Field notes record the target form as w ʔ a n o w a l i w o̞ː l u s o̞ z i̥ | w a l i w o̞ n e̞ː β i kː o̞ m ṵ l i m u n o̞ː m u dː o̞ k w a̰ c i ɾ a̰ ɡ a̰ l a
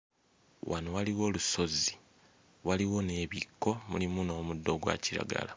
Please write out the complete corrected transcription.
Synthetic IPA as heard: w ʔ a n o w a l i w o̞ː l u s o̞ z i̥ | w a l i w o̞ n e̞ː β i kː o̞ m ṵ l i m u n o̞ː m u dː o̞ ɡ w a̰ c i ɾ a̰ ɡ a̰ l a